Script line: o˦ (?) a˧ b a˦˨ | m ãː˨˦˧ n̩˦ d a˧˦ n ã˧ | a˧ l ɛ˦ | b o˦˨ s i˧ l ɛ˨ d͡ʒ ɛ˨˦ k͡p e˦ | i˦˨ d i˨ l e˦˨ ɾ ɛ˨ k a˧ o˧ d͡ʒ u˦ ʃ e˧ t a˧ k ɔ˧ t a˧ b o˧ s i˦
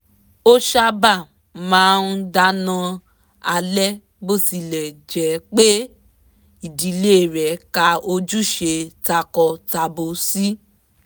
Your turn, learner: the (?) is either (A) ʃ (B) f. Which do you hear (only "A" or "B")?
A